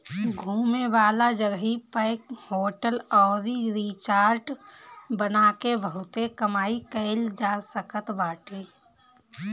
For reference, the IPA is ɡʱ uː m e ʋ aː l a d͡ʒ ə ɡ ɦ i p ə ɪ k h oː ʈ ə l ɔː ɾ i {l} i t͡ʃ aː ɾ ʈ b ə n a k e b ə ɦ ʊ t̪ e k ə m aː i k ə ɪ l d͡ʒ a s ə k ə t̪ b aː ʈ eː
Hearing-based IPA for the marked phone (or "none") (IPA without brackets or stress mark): ɾ